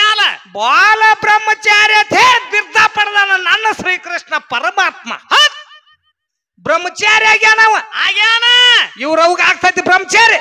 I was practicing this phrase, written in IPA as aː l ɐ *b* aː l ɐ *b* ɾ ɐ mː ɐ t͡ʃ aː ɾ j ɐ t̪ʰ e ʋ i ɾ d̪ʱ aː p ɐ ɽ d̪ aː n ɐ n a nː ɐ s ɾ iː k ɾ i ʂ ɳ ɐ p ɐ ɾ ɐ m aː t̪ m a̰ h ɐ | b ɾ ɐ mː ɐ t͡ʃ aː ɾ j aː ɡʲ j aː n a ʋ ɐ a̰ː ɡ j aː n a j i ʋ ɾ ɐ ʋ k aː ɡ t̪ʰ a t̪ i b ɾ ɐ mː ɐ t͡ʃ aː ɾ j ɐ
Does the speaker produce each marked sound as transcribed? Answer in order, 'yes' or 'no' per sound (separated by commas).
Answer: yes, yes